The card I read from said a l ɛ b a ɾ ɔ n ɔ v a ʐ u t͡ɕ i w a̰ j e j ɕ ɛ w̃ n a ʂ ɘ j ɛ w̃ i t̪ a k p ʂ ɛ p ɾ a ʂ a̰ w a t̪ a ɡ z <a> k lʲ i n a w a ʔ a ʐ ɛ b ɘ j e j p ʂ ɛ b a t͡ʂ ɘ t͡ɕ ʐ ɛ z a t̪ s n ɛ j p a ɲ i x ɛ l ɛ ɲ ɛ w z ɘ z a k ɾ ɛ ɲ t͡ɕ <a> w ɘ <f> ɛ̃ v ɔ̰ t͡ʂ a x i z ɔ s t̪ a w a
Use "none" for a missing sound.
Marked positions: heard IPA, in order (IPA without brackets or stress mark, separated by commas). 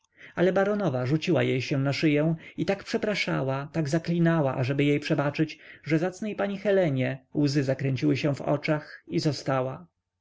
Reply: a, i, ɕ